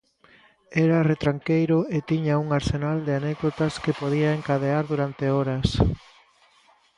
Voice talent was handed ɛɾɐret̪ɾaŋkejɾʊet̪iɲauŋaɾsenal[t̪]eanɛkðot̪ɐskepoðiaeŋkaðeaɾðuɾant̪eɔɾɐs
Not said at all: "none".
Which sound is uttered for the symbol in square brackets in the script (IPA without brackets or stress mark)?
d̪